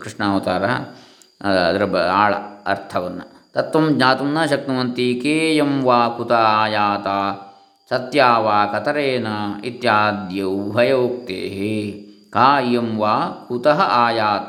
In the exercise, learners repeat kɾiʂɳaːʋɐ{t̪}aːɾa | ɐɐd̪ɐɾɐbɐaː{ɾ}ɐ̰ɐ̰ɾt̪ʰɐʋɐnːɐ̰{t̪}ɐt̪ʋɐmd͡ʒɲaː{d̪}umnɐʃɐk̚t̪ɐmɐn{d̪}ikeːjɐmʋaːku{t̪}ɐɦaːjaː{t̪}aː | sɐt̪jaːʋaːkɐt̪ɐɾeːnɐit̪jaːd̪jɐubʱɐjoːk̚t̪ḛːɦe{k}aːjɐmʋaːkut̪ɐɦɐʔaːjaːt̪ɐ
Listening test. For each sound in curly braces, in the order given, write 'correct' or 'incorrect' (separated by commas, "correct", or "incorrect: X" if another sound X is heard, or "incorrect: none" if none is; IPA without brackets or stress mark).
correct, incorrect: ɭ, correct, incorrect: t̪, incorrect: t̪, correct, correct, correct